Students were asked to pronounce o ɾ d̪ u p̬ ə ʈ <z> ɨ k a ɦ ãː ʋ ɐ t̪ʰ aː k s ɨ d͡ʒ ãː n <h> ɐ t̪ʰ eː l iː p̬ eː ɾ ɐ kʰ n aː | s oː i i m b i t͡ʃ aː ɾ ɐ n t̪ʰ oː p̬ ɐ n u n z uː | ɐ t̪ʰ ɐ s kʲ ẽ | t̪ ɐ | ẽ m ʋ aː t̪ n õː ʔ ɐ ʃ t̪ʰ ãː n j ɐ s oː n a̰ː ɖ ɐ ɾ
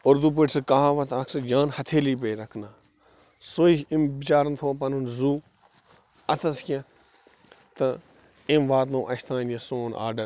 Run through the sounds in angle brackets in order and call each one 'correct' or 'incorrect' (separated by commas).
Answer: incorrect, correct